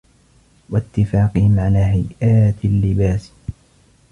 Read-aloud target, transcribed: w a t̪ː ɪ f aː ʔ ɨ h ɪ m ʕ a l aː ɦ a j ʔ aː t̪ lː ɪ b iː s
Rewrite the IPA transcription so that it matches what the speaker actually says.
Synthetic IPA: w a t̪ː ɪ f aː q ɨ h ɪ m ʕ a l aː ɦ a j ʔ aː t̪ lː ɪ b aː s